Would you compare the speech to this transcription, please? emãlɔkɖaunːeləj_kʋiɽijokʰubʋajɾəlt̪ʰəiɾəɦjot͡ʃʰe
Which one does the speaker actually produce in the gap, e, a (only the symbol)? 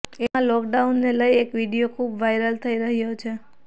e